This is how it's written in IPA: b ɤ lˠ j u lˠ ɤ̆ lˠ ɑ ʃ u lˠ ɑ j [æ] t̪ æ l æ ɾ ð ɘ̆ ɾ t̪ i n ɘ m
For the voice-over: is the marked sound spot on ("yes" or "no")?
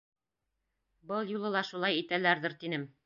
no